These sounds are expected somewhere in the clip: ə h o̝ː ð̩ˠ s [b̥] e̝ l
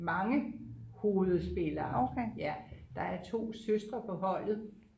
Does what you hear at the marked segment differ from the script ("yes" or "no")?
no